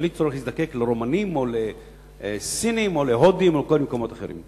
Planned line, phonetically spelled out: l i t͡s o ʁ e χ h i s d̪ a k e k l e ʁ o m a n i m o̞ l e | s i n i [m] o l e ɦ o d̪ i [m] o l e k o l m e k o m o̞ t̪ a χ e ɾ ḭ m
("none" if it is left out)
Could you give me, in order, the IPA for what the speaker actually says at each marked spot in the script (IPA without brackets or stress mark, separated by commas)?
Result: m, m